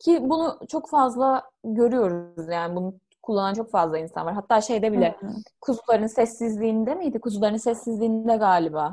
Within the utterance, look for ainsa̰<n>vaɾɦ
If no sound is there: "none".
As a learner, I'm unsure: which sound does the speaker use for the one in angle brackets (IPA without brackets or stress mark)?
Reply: n